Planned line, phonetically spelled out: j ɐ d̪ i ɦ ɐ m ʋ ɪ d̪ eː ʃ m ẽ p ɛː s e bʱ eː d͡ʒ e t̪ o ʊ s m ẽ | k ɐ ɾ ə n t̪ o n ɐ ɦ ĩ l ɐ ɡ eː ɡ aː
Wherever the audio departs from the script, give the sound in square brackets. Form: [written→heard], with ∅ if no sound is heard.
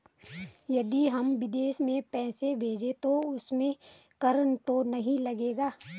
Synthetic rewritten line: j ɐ d̪ i ɦ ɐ m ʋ ɪ d̪ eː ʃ m ẽ p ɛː s e bʱ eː d͡ʒ e t̪ o ʊ s m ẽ | k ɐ ɾ ə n t̪ o n ɐ ɦ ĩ l ɐ ɡ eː ɡ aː

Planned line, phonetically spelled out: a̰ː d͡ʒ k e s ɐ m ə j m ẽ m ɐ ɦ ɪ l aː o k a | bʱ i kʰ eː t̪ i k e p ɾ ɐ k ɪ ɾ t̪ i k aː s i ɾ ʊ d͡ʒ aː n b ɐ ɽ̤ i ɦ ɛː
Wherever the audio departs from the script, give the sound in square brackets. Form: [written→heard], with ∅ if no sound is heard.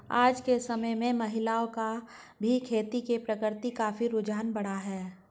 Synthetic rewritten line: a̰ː d͡ʒ k e s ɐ m ə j m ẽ m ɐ ɦ ɪ l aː o k a | bʱ i kʰ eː t̪ i k e p ɾ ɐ k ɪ ɾ t̪ i k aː [s→f] i ɾ ʊ d͡ʒ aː n b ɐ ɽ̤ [i→a] ɦ ɛː

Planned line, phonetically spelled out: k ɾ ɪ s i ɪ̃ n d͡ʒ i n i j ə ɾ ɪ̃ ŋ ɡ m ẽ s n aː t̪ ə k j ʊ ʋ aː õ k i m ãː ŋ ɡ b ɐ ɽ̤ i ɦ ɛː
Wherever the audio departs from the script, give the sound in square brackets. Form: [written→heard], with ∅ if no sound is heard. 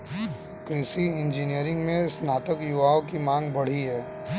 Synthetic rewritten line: k ɾ ɪ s i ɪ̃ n d͡ʒ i n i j ə ɾ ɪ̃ ŋ ɡ m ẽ s n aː t̪ ə k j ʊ ʋ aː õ k i m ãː ŋ ɡ b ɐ ɽ̤ i ɦ ɛː

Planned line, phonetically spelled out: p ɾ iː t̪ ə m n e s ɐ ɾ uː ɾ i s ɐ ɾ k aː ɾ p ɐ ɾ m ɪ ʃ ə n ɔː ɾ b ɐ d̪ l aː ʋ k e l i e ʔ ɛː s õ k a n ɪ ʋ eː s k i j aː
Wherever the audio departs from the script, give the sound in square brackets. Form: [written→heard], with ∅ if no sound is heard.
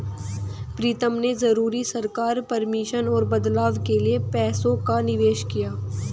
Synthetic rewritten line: p ɾ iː t̪ ə m n e [s→z] ɐ ɾ uː ɾ i s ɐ ɾ k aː ɾ p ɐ ɾ m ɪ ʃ ə n ɔː ɾ b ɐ d̪ l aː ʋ k e l i e [ʔ→p] ɛː s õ k a n ɪ ʋ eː [s→ʃ] k i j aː

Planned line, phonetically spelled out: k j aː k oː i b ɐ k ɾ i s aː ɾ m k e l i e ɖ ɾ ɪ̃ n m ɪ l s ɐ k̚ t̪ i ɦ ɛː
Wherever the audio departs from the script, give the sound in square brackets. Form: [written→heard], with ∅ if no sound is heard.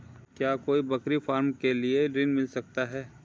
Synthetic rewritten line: k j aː k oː i b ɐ k ɾ i [s→f] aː ɾ m k e l i e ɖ ɾ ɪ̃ n m ɪ l s ɐ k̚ t̪ [i→a] ɦ ɛː

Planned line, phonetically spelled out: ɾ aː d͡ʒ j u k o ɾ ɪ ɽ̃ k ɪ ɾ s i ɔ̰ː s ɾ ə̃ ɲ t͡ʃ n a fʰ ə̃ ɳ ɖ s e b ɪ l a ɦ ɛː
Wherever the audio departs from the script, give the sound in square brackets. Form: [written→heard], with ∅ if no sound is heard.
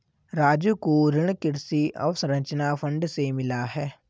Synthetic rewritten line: ɾ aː d͡ʒ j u k o ɾ ɪ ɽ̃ k ɪ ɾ s i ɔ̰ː s ɾ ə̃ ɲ t͡ʃ n a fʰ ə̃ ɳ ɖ s e [b→m] ɪ l a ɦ ɛː

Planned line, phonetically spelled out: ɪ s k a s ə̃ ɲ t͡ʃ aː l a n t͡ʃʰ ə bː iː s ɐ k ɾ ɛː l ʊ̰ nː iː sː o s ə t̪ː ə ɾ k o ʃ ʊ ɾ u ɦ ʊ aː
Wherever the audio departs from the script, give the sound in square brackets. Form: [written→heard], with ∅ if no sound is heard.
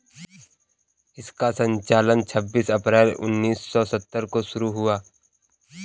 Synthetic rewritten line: ɪ s k a s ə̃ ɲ t͡ʃ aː l [a→ə] n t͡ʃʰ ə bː iː s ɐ [k→p] ɾ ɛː l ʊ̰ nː iː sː [o→ɔ] s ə t̪ː ə ɾ k o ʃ ʊ ɾ u ɦ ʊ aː

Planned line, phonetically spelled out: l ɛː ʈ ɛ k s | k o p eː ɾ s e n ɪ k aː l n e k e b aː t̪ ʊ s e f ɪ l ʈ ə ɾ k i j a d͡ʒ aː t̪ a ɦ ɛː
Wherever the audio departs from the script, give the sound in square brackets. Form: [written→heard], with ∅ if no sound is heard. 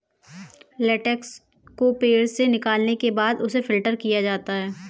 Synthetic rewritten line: l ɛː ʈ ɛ k s | k o p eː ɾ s e n ɪ k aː l n e k e b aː [t̪→d̪] ʊ s e f ɪ l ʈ ə ɾ k i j a d͡ʒ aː t̪ a ɦ ɛː

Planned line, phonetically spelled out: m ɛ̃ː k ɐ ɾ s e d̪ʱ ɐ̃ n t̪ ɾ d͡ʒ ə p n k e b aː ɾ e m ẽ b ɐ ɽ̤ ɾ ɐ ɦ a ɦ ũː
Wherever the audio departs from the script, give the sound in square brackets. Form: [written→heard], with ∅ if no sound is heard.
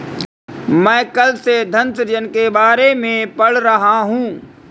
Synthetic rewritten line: m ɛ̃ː k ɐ [ɾ→l] s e d̪ʱ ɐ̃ n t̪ ɾ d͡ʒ ə [p→∅] n k e b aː ɾ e m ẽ [b→p] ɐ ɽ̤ ɾ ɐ ɦ a ɦ ũː

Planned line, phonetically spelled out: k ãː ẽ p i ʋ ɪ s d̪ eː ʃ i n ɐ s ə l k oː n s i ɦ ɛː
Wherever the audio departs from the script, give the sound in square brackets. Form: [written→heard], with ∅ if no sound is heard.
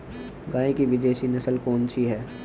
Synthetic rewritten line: [k→ɡ] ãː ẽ [p→k] i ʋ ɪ [s→∅] d̪ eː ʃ i n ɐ s ə l k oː n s i ɦ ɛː

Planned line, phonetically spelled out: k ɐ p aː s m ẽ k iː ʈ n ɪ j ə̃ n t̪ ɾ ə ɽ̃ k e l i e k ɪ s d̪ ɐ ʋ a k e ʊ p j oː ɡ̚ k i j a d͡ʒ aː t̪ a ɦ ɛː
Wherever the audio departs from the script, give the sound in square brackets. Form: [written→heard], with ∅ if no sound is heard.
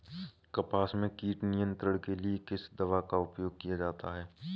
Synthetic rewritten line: k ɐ p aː s m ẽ k iː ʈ n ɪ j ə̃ n t̪ ɾ ə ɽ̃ k e l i e k ɪ s d̪ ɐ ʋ a k [e→a] ʊ p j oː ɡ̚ k i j a d͡ʒ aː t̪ a ɦ ɛː

